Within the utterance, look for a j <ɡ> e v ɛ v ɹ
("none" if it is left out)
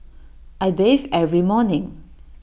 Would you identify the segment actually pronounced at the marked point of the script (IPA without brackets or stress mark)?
b